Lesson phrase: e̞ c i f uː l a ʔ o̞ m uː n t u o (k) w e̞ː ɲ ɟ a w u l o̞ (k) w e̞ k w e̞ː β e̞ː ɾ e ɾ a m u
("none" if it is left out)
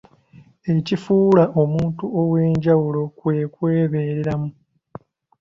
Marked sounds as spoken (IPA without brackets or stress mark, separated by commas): none, k